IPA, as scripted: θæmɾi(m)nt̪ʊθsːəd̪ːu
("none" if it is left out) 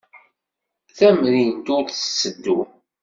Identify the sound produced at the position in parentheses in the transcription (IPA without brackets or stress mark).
none